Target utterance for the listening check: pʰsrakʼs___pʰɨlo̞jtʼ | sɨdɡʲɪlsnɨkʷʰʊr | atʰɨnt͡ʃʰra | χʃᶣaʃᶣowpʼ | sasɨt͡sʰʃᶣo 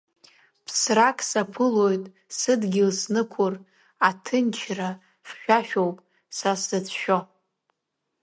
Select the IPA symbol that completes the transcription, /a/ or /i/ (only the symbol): a